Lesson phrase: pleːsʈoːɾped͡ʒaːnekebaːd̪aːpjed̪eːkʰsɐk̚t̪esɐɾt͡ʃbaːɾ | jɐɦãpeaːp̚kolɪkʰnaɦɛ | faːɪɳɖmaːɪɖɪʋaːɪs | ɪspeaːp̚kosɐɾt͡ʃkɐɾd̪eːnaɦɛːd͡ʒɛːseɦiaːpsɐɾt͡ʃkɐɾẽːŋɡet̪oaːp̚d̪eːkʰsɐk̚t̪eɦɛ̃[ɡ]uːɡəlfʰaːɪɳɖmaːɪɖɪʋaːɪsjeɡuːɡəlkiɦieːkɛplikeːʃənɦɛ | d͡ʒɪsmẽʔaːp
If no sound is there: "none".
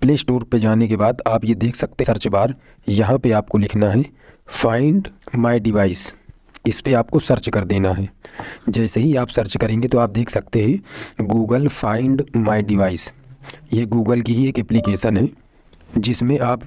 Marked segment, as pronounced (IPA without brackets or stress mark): ɡ